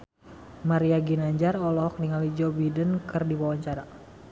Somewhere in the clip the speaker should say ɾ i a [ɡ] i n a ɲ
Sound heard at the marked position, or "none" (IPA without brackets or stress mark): ɡ